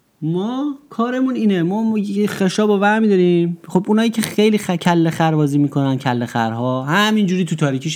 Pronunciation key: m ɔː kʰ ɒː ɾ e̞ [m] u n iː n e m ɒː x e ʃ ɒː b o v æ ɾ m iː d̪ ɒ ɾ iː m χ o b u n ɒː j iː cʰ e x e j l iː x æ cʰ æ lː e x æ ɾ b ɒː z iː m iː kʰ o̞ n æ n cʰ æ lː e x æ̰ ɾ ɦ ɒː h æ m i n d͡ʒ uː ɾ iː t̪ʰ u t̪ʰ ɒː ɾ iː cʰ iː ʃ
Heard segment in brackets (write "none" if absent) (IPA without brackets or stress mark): m